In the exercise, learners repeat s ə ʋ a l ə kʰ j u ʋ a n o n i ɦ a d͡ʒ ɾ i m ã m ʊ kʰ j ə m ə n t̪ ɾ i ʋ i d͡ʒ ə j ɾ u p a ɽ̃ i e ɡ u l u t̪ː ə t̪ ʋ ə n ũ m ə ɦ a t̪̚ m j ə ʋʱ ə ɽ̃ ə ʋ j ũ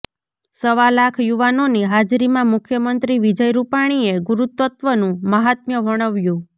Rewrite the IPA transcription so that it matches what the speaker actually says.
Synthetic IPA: s ə ʋ a l a kʰ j u ʋ a n o n i ɦ a d͡ʒ ɾ i m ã m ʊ kʰ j ə m ə n t̪ ɾ i ʋ i d͡ʒ ə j ɾ u p a ɽ̃ i e ɡ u ɾ u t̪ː ə t̪ ʋ ə n ũ m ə ɦ a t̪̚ m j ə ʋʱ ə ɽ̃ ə ʋ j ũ